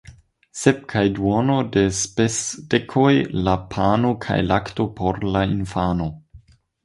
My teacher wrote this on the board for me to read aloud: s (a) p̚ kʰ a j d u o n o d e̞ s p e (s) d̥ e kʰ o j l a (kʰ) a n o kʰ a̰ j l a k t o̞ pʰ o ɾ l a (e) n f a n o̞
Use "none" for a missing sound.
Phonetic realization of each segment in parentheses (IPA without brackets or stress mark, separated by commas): e, s, pʰ, i